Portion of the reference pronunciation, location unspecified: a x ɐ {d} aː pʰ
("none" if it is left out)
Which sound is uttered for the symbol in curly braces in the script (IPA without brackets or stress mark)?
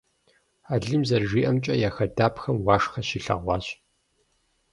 d